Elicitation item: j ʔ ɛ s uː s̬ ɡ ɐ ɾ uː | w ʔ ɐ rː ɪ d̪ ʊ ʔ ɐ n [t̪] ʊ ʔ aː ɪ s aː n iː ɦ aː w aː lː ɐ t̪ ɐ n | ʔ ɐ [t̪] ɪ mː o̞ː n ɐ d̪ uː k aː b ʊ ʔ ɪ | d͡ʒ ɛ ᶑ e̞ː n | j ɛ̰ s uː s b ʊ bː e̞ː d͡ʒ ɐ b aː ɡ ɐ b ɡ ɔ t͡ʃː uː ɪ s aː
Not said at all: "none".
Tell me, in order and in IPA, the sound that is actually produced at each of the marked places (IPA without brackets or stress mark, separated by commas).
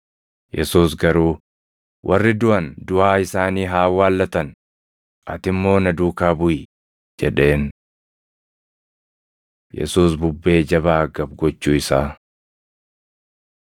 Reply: d̪, t̪